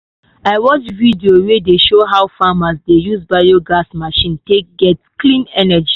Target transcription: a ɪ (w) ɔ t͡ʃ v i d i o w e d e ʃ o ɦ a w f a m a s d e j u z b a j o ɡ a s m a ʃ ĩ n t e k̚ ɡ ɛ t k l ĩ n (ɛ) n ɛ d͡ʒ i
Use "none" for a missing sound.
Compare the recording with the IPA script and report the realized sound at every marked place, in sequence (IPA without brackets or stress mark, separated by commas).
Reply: w, ɛ